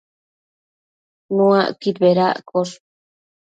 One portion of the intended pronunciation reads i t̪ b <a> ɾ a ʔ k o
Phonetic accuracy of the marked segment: incorrect: e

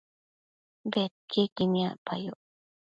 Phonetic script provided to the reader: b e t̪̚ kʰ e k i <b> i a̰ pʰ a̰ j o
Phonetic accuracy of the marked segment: incorrect: m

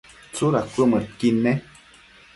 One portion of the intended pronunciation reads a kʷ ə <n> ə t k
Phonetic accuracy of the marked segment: incorrect: m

